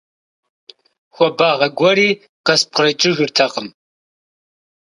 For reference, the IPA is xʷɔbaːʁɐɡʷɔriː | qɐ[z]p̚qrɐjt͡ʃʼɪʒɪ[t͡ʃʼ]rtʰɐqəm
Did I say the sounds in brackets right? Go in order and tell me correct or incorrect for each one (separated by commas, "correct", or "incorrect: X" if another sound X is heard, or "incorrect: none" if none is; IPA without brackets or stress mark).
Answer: incorrect: s, incorrect: none